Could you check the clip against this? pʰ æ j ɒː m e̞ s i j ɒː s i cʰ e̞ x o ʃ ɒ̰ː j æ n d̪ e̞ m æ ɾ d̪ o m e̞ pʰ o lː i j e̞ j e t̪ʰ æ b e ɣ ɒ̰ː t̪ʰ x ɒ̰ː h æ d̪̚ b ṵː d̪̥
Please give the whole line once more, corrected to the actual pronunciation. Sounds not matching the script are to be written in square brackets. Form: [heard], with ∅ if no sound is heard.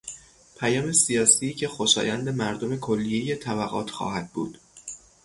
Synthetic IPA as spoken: pʰ æ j ɒː m e̞ s i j ɒː s i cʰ e̞ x o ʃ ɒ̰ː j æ n d̪ e̞ m æ ɾ d̪ o m e̞ [kʰ] o lː i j e̞ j e t̪ʰ æ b [æ] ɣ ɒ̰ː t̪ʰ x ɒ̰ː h æ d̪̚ b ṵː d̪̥